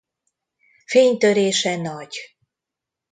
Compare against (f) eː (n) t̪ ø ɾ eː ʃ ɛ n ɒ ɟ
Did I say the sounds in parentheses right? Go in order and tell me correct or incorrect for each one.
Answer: correct, incorrect: ɲ

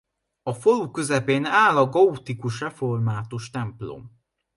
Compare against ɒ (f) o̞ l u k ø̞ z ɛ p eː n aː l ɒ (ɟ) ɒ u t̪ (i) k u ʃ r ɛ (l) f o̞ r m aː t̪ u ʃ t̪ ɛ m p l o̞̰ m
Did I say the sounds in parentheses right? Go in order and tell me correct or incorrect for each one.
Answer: correct, incorrect: ɡ, correct, incorrect: none

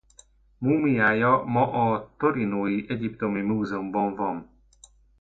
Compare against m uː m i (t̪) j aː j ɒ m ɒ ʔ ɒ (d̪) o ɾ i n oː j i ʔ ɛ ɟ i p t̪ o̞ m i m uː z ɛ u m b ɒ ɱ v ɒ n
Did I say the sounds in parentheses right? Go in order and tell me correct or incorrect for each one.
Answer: incorrect: none, incorrect: t̪

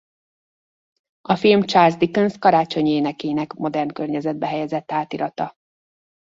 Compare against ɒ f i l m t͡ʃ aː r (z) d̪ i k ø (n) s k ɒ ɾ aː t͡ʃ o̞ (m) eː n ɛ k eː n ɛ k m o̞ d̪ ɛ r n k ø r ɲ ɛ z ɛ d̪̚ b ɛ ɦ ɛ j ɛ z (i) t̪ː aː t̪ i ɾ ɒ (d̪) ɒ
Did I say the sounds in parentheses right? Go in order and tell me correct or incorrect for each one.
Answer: correct, correct, incorrect: ɲ, incorrect: ɛ, incorrect: t̪

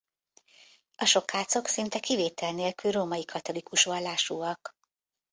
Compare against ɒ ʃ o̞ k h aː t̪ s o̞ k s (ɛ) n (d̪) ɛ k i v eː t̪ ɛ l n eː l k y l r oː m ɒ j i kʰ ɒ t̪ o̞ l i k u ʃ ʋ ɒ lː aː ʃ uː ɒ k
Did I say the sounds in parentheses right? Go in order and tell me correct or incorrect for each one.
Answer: incorrect: i, incorrect: t̪

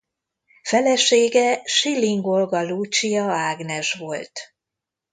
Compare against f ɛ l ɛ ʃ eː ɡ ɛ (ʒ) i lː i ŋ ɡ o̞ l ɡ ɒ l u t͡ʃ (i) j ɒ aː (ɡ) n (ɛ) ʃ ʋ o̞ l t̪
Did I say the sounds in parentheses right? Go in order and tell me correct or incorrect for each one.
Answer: incorrect: ʃ, correct, correct, correct

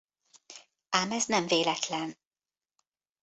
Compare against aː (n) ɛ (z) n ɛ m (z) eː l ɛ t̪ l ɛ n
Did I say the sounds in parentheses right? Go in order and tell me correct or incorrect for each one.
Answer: incorrect: m, correct, incorrect: v

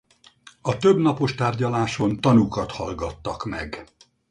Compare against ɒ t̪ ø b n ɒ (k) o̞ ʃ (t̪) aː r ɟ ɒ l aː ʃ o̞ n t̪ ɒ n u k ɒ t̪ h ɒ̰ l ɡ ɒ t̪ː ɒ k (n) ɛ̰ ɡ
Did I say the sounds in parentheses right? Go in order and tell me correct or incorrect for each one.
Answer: incorrect: p, correct, incorrect: m

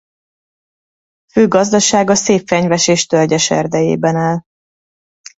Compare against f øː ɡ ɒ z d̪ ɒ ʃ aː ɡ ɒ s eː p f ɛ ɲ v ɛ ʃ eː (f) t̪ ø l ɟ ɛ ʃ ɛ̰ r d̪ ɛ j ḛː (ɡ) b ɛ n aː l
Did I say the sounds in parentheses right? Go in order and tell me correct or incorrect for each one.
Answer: incorrect: ʃ, incorrect: none

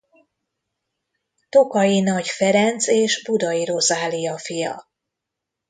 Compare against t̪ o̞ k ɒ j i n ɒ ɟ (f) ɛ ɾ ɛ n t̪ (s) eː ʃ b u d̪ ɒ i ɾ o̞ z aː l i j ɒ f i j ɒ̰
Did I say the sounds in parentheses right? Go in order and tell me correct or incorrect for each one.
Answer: correct, correct

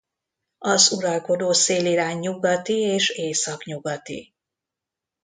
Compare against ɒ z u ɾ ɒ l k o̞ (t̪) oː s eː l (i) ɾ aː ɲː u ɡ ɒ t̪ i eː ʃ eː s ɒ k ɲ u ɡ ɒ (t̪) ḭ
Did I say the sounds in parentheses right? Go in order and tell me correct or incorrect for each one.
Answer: incorrect: d̪, correct, correct

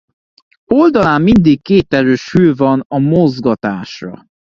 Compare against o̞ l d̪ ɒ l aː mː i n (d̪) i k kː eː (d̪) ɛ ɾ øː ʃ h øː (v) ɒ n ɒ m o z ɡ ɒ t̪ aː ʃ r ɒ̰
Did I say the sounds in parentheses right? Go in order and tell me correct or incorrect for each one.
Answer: correct, incorrect: t̪, correct

